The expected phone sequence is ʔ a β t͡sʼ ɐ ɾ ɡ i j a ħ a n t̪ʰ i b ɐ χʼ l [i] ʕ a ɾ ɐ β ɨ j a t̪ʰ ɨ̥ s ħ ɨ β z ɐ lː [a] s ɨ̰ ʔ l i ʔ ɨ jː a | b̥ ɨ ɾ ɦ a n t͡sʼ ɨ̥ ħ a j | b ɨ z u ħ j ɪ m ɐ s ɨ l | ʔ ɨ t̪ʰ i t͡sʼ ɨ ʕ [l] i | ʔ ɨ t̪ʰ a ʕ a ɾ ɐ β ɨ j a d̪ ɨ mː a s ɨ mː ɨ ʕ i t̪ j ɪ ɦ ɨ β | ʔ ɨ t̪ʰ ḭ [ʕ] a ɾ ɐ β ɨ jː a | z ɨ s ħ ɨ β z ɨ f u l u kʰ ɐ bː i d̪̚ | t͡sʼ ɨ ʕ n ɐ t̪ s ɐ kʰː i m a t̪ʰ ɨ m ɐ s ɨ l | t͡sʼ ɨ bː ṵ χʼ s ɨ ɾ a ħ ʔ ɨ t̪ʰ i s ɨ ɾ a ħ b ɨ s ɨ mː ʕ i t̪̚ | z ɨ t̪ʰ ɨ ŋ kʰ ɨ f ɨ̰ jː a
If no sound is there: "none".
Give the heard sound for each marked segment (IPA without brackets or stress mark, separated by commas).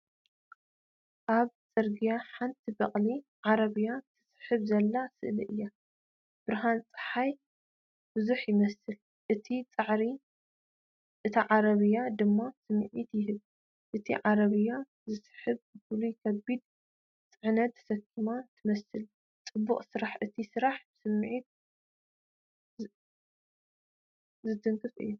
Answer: i, a, ɾ, ʕ